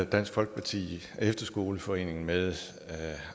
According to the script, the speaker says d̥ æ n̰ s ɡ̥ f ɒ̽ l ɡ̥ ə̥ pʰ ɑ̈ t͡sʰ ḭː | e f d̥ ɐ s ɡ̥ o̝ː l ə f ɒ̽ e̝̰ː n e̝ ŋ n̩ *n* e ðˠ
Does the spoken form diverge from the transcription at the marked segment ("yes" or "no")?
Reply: yes